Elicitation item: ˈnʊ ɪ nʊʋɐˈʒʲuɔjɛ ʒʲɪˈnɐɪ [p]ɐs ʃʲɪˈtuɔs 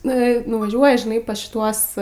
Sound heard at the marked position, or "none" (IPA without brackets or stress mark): p